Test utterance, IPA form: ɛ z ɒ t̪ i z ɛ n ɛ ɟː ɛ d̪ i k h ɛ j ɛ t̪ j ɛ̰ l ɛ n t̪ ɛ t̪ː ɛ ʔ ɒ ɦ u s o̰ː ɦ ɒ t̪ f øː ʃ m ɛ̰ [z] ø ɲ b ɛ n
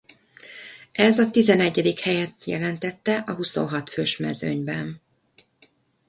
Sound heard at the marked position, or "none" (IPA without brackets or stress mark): z